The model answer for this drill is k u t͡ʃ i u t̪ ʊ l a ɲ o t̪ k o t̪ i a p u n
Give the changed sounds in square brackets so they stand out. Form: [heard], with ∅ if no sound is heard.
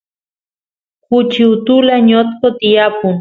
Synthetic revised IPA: k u t͡ʃ i u t̪ [u] l a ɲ o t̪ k o t̪ i a p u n